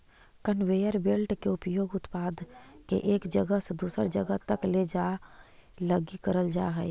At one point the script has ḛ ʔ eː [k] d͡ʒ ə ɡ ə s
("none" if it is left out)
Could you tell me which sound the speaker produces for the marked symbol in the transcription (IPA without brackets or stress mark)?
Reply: k